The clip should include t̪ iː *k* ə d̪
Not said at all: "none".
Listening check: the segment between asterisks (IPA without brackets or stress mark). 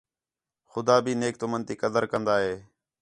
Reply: k